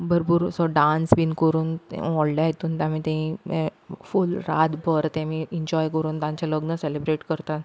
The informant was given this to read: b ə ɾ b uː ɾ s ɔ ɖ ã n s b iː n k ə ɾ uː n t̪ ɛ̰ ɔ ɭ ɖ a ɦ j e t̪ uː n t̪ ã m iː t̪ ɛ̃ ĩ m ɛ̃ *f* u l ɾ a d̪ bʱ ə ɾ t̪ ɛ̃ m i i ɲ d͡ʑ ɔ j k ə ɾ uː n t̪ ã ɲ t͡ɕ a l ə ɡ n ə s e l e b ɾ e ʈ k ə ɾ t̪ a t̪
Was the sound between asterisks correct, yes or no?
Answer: yes